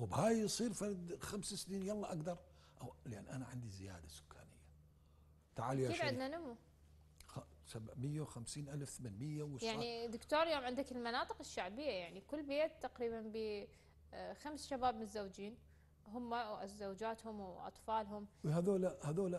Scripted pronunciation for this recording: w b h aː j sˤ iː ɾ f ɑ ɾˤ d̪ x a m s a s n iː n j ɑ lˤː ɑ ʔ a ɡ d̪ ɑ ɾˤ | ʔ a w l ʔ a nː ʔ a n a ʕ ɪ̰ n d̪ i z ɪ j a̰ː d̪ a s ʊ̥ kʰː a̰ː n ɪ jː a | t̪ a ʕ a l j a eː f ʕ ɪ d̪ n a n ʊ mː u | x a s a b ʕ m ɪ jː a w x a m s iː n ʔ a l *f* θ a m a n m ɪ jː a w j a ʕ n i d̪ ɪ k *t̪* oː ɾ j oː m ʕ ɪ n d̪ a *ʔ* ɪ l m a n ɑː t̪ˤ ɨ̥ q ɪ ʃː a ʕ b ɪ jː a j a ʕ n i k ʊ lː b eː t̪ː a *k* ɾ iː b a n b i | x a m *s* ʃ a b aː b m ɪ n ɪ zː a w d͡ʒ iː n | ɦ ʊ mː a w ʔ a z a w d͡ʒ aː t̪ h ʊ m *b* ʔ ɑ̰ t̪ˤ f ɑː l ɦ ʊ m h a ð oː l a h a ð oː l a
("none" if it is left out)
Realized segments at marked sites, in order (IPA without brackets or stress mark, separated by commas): f, t̪, k, q, s, w